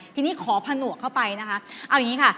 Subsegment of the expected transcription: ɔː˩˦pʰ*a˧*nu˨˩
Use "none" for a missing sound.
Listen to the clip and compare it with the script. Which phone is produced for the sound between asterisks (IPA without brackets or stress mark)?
a˧